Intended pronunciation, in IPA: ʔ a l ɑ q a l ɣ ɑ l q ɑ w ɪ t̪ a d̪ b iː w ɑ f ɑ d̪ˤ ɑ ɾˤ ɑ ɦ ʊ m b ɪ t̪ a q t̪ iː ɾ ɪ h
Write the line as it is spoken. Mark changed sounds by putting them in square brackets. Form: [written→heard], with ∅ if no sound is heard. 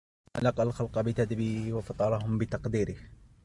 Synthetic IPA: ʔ a l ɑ q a l [ɣ→x] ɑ l q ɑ [w→b] ɪ t̪ a d̪ b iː w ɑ f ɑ [d̪ˤ→t̪ˤ] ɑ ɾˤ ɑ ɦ ʊ m b ɪ t̪ [a→ɑ] q [t̪→d̪] iː ɾ ɪ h

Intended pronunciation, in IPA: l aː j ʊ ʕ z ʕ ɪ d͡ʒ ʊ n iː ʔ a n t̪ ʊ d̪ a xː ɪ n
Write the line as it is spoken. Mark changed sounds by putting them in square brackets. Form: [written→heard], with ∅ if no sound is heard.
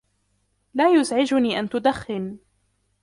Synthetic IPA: l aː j ʊ [ʕ→∅] z ʕ ɪ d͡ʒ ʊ n iː ʔ a n t̪ ʊ d̪ a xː ɪ n

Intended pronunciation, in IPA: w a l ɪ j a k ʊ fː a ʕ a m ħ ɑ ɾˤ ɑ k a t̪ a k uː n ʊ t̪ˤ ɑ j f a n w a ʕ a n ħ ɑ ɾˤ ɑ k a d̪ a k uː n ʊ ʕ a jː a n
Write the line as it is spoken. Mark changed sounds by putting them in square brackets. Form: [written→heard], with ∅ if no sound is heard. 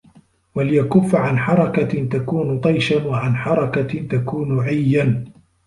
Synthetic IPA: w a l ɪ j a k ʊ fː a ʕ a [m→n] ħ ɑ ɾˤ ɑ k a t̪ a k uː n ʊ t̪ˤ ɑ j [f→ʃ] a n w a ʕ a n ħ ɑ ɾˤ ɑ k a [d̪→t̪] a k uː n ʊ ʕ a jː a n

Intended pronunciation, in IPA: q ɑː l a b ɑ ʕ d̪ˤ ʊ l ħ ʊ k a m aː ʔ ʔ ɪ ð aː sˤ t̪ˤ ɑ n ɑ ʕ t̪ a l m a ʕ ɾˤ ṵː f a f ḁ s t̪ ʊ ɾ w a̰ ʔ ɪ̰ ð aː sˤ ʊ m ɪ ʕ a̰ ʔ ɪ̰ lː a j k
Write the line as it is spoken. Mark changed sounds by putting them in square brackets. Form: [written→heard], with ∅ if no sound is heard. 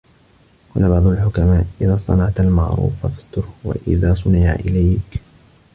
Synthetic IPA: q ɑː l a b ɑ ʕ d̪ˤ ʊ l ħ ʊ k a m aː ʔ ʔ ɪ ð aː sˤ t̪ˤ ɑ n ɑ ʕ t̪ a l m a ʕ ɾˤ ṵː f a f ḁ s t̪ ʊ ɾ w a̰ ʔ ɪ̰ ð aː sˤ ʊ [m→n] ɪ ʕ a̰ ʔ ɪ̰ [lː→l] a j k

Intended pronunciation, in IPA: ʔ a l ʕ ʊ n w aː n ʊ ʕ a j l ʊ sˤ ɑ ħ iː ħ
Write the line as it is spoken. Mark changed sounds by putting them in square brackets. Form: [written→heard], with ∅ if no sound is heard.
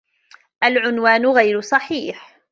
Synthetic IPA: ʔ a l ʕ ʊ n w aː n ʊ [ʕ→ɣ] a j [l→ɾ] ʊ sˤ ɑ ħ iː ħ

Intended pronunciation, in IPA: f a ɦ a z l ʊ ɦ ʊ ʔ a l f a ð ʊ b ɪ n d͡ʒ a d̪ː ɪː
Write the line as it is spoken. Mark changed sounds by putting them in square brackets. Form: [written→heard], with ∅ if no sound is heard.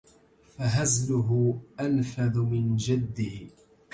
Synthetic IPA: f a ɦ a z l ʊ ɦ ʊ ʔ a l f a ð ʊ [b→m] ɪ n d͡ʒ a d̪ː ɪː

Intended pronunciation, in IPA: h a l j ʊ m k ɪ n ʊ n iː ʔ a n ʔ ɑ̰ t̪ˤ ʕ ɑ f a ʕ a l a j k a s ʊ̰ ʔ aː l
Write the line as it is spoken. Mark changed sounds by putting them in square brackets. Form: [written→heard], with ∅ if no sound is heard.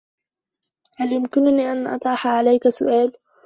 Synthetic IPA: h a l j ʊ m k ɪ n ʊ n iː ʔ a n ʔ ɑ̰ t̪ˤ ʕ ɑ [f→ħ] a ʕ a l a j k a s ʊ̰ ʔ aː l

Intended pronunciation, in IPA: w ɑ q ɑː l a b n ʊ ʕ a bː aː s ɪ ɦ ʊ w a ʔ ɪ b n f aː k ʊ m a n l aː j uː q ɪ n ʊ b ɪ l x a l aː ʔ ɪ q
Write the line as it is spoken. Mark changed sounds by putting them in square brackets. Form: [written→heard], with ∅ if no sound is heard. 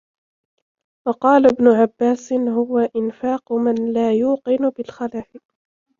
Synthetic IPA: w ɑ q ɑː l a b n ʊ ʕ a bː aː s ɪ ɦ ʊ w a ʔ ɪ [b→∅] n f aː [k→q] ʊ m a n l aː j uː q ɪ n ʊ b ɪ l x a l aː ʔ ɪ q

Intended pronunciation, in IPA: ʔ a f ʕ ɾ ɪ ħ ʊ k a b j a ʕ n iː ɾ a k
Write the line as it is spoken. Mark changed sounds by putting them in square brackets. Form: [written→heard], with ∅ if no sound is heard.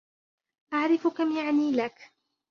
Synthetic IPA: ʔ a [f→∅] ʕ ɾ ɪ [ħ→f] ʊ k a [b→m] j a ʕ n iː [ɾ→l] a k

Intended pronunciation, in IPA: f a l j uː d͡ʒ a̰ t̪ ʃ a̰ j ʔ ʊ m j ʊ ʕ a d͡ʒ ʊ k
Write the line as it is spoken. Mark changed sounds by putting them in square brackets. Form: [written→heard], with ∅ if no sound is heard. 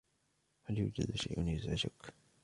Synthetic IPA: [f→h] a l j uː d͡ʒ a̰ [t̪→d̪] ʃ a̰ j ʔ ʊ [m→n] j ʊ [ʕ→z] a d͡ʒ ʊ k

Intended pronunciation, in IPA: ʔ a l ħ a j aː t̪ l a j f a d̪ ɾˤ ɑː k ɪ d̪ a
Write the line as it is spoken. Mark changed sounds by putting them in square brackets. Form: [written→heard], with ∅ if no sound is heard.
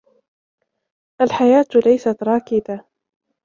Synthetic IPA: ʔ a l ħ a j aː t̪ l a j [f→s] a [d̪→t̪] ɾˤ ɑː k ɪ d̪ a

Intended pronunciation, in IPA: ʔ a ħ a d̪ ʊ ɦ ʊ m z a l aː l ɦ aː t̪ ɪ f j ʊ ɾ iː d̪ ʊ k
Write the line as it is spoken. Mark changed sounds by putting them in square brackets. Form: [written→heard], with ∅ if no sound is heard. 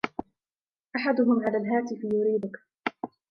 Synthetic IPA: ʔ a ħ a d̪ ʊ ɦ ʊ m [z→ʕ] a l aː l ɦ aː t̪ ɪ f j ʊ ɾ iː d̪ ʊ k

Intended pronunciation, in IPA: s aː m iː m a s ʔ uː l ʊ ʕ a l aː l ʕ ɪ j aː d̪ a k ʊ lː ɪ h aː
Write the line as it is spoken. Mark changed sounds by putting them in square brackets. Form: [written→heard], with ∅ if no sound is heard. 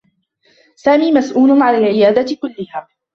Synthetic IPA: s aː m iː m a s ʔ uː l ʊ ʕ a l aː l ʕ ɪ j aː d̪ a k ʊ lː ɪ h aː

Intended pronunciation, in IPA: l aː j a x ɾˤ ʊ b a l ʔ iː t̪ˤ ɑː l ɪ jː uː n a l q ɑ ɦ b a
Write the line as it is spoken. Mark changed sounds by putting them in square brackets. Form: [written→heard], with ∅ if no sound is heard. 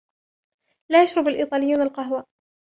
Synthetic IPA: l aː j a [x→ʃ] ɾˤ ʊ b a l ʔ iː t̪ˤ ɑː l ɪ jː uː n a l q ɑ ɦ [b→w] a

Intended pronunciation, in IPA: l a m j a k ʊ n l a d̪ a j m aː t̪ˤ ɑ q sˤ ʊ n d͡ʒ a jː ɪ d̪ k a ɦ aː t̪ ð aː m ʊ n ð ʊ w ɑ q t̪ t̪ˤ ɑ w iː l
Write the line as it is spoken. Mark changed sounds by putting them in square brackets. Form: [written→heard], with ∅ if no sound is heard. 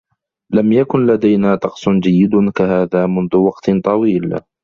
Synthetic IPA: l a m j a k ʊ n l a d̪ a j [m→n] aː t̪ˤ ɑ q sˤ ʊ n d͡ʒ a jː ɪ d̪ k a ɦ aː [t̪→∅] ð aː m ʊ n ð ʊ w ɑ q t̪ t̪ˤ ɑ w iː l

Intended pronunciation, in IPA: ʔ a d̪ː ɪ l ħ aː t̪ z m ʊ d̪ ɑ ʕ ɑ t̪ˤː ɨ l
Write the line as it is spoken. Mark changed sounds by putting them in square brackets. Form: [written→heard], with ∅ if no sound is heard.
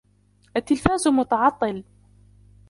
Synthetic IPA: ʔ a [d̪ː→t̪ː] ɪ l [ħ→f] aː [t̪→∅] z m ʊ [d̪→t̪] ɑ ʕ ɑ t̪ˤː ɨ l

